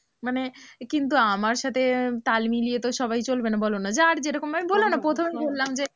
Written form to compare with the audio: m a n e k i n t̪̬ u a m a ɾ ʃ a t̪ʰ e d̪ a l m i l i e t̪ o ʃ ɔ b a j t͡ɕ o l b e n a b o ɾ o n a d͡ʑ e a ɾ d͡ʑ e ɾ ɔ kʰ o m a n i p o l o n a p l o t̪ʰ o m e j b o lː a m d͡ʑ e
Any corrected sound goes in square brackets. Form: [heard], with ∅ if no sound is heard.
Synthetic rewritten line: m a n e k i n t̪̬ u a m a ɾ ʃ a t̪ʰ e [t̪] a l m i l i e t̪ o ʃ ɔ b a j t͡ɕ o l b e n a b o [l] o n a d͡ʑ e a ɾ d͡ʑ e ɾ ɔ [k] o m a [m] i [b] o l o n a p [ɾ] o t̪ʰ o m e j b o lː a m d͡ʑ e